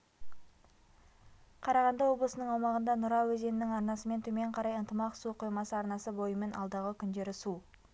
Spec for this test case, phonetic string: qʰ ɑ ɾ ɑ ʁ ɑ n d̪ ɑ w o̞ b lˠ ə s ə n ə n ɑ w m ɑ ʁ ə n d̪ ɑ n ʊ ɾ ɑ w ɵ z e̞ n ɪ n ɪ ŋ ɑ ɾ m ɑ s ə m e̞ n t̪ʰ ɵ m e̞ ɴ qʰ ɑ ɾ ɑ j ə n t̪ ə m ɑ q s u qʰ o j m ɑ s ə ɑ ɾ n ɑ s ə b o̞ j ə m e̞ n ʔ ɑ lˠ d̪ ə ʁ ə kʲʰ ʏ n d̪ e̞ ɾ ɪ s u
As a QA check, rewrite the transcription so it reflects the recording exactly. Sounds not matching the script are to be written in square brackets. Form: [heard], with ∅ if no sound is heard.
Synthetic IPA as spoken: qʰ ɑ ɾ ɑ ʁ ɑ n d̪ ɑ w o̞ b lˠ ə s ə n ə [ɴ] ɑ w m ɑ ʁ ə n d̪ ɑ n ʊ ɾ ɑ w ɵ z e̞ n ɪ n ɪ ŋ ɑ ɾ [n] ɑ s ə m e̞ n t̪ʰ ɵ m e̞ ɴ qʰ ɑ ɾ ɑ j ə n t̪ ə m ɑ q s u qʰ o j m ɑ s ə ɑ ɾ n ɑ s ə b o̞ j ə m e̞ n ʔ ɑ lˠ d̪ [ɑ] ʁ ə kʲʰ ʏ n d̪ e̞ ɾ ɪ s u

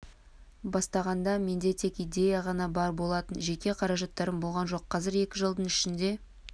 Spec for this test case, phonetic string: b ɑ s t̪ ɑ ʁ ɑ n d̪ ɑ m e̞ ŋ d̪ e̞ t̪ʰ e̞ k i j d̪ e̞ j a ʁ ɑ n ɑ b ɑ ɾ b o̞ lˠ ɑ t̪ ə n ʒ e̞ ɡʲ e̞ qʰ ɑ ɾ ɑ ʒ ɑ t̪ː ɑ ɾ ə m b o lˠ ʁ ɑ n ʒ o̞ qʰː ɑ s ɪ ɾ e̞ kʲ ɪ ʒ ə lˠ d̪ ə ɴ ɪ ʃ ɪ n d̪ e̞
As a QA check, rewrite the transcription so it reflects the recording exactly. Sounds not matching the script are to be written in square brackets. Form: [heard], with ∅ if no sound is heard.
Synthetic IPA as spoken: b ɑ s t̪ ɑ ʁ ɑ n d̪ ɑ m e̞ [n] d̪ e̞ t̪ʰ e̞ k i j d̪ e̞ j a ʁ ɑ n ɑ b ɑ ɾ b o̞ lˠ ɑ t̪ ə n ʒ e̞ [kʲ] e̞ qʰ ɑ ɾ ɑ ʒ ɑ t̪ː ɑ ɾ ə m b o lˠ ʁ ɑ n ʒ o̞ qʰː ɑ [z] ɪ ɾ e̞ kʲ ɪ ʒ ə lˠ d̪ ə ɴ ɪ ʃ ɪ n d̪ e̞

